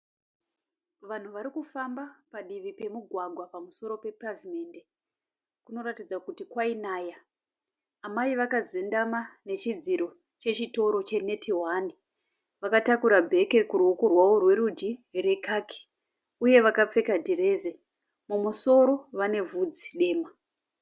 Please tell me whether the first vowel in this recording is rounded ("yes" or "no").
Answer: no